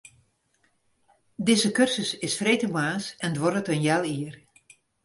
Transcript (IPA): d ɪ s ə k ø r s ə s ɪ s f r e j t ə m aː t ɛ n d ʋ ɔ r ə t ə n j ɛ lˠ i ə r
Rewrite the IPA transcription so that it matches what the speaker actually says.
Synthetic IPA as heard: d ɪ z ə k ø r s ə s ɪ s f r e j t ə m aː s ɛ n d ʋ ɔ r ə t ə n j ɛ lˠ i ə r